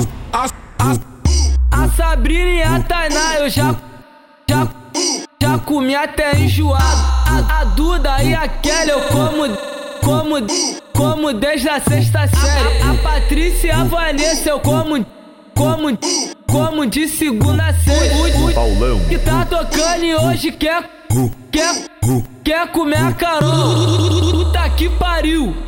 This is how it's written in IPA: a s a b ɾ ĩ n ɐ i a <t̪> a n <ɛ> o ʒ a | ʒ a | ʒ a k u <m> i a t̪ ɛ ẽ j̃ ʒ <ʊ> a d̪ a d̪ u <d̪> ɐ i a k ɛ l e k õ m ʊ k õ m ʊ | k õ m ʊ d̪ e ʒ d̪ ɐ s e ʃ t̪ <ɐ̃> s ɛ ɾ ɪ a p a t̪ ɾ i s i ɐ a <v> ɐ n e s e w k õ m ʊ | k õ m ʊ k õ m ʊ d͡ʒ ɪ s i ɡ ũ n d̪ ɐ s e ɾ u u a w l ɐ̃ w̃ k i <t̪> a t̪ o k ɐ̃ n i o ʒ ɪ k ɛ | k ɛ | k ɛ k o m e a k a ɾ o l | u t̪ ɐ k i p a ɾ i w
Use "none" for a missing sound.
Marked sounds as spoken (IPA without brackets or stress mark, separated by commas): t̪, a, m, u, d̪, ɐ, v, t̪